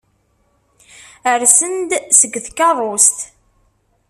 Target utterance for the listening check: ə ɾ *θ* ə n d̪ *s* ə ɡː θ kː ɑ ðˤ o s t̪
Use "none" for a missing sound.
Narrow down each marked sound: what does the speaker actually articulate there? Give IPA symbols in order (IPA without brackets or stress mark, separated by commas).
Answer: s, s